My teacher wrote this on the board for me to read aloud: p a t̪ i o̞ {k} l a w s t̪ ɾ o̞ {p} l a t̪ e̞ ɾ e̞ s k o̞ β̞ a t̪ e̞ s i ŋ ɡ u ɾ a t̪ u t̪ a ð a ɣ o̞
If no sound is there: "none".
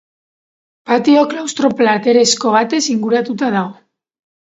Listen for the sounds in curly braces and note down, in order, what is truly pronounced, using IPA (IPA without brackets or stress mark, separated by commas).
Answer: k, p